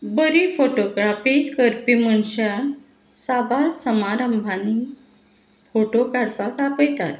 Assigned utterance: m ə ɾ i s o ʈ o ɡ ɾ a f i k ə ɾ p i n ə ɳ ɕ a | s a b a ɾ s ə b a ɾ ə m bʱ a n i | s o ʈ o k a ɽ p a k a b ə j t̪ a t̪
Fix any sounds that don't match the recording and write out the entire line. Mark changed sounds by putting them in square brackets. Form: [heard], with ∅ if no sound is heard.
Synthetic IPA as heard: [b] ə ɾ i [f] o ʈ o ɡ ɾ a f i k ə ɾ p i [m] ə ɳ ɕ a | s a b a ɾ s ə [m] a ɾ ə m bʱ a n i | [f] o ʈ o k a ɽ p a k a [p] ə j t̪ a t̪